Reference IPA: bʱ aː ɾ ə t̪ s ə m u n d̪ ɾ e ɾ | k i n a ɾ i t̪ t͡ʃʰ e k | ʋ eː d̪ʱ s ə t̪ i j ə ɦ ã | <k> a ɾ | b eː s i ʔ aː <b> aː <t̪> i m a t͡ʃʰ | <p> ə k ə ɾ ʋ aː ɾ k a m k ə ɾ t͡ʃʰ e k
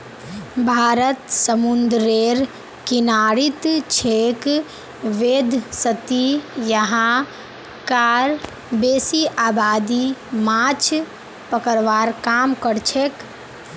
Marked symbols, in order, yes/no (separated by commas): yes, yes, no, yes